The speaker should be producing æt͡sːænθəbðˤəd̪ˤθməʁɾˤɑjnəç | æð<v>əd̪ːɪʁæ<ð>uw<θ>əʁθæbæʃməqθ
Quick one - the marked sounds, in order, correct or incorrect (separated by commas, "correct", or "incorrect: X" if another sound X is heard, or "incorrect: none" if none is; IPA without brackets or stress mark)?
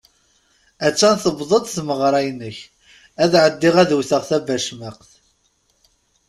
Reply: incorrect: ʕ, correct, correct